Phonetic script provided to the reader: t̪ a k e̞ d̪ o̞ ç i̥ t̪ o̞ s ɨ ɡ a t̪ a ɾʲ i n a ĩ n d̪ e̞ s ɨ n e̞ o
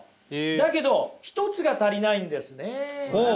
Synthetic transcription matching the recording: d̪ a k e̞ d̪ o̞ ç i̥ t̪ o̞ t͡s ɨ ɡ a t̪ a ɾʲ i n a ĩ n d̪ e̞ s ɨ n e̞ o